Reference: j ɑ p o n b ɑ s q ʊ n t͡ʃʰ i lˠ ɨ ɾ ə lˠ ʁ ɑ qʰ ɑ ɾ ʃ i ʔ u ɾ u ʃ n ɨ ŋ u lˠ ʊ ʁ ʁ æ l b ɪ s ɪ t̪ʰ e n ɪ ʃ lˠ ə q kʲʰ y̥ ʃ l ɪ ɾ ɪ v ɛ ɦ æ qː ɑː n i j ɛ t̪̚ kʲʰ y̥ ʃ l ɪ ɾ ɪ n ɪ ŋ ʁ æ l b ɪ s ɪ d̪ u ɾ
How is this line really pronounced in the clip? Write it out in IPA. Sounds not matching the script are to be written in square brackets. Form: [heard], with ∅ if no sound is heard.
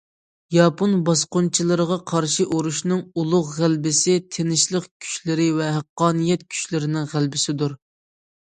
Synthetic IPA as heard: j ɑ p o n b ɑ s q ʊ n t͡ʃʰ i lˠ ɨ ɾ ə [∅] ʁ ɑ qʰ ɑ ɾ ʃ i ʔ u ɾ u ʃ n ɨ ŋ u lˠ ʊ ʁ ʁ æ l b ɪ s ɪ t̪ʰ e n ɪ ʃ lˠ ə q kʲʰ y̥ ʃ l ɪ ɾ ɪ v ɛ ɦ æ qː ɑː n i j ɛ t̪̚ kʲʰ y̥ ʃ l ɪ ɾ ɪ n ɪ ŋ ʁ æ l b ɪ s ɪ d̪ u ɾ